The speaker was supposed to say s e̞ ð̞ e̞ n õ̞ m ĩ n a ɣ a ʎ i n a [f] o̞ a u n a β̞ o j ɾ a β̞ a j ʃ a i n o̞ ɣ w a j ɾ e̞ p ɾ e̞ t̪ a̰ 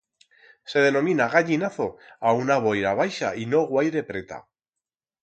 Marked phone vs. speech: incorrect: θ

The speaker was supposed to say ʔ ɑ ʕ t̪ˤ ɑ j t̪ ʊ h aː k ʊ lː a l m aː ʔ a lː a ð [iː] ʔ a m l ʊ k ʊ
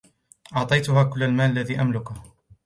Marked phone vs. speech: correct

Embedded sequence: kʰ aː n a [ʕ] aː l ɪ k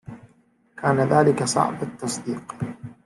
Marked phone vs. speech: incorrect: ð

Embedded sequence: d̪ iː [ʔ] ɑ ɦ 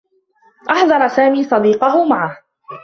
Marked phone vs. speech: incorrect: q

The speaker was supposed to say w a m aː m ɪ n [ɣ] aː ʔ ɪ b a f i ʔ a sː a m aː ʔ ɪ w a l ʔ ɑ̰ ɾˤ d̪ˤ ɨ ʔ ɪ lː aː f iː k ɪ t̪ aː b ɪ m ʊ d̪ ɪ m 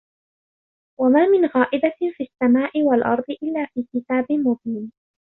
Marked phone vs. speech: correct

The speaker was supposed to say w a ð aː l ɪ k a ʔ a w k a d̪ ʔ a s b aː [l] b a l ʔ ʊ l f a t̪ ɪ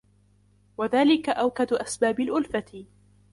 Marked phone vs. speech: incorrect: none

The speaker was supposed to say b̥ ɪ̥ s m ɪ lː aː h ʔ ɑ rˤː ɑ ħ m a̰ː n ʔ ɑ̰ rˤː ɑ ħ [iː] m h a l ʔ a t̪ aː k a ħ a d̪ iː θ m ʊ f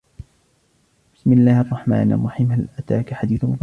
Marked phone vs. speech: correct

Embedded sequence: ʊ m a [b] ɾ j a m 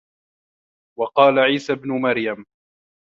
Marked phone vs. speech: incorrect: none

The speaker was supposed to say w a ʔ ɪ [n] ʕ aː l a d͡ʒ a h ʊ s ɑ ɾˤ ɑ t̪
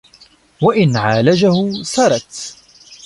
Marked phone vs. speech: correct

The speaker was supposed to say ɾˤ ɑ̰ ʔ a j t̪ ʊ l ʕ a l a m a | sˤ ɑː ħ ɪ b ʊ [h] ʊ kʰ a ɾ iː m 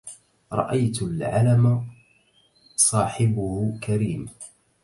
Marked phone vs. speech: correct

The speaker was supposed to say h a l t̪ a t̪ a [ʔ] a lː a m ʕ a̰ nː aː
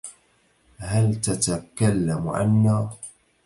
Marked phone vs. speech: incorrect: k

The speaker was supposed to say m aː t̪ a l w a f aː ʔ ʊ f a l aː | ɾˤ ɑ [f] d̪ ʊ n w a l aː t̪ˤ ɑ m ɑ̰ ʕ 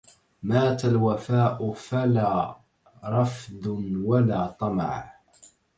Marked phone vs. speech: correct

